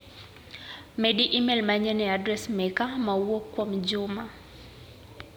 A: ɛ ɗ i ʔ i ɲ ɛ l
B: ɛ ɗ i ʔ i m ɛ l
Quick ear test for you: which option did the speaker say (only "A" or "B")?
B